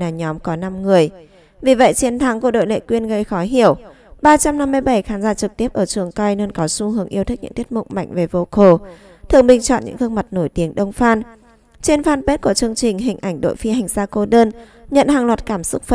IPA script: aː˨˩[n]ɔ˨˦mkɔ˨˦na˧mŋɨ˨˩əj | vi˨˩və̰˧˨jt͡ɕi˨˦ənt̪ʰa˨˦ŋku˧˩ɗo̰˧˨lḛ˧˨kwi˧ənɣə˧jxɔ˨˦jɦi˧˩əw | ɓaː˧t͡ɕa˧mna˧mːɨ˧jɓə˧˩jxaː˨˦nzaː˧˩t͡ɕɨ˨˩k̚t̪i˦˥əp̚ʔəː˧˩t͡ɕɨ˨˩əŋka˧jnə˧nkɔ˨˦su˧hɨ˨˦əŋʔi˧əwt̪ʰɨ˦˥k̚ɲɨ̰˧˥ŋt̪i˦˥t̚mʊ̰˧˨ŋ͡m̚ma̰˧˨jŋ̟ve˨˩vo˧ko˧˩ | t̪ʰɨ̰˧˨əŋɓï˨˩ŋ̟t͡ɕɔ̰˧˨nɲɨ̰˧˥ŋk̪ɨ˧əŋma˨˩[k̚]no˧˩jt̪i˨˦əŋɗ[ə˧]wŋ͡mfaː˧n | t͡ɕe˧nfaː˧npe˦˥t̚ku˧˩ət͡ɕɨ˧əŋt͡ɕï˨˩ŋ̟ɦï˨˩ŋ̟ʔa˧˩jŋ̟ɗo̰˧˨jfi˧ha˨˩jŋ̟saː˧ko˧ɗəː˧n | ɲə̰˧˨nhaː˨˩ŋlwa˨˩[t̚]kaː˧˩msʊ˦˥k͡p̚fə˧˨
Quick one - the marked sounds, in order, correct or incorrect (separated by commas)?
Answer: incorrect, incorrect, correct, correct